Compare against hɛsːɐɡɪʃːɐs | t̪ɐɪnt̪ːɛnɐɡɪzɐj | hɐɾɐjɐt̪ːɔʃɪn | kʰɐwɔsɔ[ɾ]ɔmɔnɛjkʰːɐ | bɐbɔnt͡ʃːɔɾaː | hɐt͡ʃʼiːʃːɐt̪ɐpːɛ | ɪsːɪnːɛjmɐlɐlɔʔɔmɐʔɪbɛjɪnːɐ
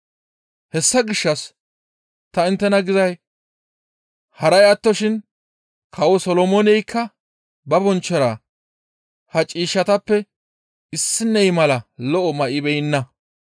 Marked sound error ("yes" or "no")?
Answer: yes